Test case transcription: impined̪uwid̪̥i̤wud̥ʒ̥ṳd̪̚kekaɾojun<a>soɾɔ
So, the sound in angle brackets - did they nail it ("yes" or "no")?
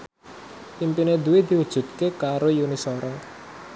no